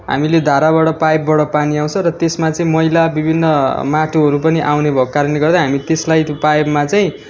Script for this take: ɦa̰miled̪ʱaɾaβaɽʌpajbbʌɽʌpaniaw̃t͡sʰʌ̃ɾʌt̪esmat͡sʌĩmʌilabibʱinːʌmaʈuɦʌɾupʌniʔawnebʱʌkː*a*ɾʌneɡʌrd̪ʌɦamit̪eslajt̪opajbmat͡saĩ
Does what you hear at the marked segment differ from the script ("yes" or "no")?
no